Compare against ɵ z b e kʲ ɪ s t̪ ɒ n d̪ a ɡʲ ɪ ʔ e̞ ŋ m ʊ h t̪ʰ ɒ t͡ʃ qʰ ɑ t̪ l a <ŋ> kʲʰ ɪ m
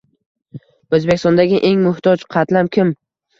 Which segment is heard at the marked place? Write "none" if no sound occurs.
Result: m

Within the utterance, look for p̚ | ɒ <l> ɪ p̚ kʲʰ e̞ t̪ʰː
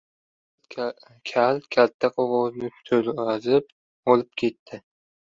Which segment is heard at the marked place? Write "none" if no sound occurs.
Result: l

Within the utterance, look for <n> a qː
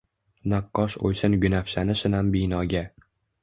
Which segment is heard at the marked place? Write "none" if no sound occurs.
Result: n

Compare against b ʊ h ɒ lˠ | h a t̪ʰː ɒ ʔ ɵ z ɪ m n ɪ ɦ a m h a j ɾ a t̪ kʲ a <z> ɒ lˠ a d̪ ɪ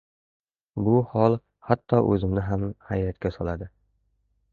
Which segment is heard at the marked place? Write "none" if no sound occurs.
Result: s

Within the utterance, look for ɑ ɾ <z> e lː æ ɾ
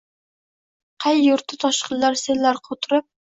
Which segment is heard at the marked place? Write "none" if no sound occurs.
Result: s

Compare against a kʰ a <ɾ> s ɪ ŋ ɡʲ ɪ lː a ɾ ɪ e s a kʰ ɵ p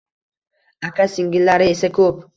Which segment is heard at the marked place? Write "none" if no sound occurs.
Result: none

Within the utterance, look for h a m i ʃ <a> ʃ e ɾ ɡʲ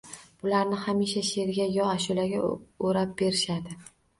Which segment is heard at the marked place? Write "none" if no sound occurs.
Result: a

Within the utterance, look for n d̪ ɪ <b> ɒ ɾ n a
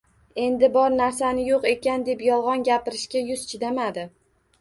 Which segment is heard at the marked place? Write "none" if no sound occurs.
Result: b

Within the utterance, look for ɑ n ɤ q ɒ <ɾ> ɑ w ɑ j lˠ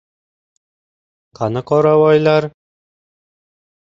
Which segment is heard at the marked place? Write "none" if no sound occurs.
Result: ɾ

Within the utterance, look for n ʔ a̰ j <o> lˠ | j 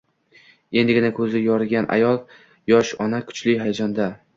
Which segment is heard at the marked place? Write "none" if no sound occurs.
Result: ɒ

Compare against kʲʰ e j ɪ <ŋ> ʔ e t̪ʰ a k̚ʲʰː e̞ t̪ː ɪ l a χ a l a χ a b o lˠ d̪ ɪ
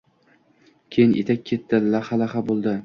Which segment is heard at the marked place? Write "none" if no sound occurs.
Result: n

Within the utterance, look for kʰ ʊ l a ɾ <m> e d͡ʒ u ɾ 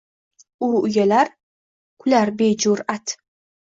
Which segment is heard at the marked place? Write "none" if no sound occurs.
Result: b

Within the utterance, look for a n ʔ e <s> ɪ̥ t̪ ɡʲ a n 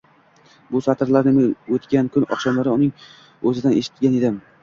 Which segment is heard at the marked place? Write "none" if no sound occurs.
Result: ʃ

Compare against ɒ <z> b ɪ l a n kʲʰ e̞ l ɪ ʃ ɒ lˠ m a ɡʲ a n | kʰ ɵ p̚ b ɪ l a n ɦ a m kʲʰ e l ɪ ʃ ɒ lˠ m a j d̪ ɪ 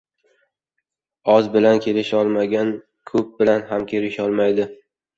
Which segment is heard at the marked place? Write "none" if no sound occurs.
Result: z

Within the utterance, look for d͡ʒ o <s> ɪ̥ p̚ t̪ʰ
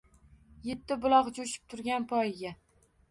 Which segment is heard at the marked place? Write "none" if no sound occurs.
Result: ʃ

